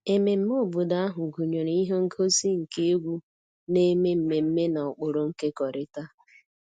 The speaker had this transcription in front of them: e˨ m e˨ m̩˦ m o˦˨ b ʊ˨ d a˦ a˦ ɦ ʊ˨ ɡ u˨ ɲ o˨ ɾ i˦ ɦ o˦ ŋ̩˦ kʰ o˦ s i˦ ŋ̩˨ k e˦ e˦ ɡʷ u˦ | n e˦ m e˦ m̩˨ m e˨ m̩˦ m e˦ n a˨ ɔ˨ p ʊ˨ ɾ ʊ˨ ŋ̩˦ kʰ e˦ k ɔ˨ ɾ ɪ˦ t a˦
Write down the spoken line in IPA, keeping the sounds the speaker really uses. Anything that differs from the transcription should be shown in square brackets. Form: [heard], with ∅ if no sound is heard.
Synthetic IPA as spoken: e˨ m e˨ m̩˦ m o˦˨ b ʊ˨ d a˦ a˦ ɦ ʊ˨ ɡ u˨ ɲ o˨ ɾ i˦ ɦ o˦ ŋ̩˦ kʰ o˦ s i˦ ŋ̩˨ k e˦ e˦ ɡʷ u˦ | n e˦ m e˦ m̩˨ m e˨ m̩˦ m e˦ n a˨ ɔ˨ [k͡p] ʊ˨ ɾ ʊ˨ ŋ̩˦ [k] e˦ k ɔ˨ ɾ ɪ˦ t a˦